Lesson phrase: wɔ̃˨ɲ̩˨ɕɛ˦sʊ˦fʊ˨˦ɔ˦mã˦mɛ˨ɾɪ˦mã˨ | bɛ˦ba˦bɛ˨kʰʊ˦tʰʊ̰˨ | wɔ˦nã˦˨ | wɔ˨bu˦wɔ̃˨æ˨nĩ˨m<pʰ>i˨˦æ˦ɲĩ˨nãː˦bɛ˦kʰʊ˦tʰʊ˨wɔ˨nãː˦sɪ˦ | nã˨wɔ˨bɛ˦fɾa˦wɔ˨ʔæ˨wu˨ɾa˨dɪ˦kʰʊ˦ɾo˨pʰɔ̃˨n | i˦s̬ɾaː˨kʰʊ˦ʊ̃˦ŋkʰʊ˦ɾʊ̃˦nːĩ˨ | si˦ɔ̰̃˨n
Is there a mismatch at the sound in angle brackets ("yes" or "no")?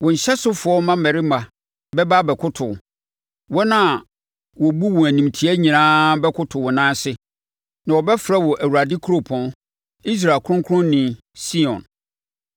yes